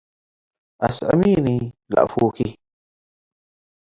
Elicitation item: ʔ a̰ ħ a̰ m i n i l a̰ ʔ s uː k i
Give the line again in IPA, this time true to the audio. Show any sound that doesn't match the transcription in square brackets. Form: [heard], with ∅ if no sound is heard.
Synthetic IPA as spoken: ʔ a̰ [s] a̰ m i n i l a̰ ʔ [f] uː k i